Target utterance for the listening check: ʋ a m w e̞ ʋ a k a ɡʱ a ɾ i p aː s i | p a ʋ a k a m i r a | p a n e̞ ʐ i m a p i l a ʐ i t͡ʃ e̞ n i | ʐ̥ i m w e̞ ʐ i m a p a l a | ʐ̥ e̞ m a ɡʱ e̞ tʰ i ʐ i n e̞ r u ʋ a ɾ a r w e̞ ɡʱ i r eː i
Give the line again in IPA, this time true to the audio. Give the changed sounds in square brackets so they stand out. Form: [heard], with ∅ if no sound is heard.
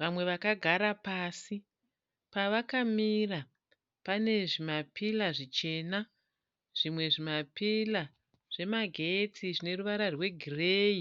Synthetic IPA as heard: ʋ a m w e̞ ʋ a k a ɡʱ a ɾ [a] p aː s i | p a ʋ a k a m i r a | p a n e̞ ʐ i m a p i l a ʐ i t͡ʃ e̞ n [a] | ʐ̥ i m w e̞ ʐ i m a p [i] l a | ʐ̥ e̞ m a ɡʱ e̞ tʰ i ʐ i n e̞ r u ʋ a ɾ a r w e̞ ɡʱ i r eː i